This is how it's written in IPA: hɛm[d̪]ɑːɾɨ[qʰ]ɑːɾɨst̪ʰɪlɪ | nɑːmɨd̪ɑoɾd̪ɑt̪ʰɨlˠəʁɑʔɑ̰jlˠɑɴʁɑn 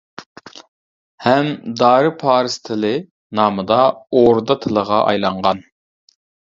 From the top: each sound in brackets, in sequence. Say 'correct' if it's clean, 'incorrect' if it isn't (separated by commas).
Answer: correct, incorrect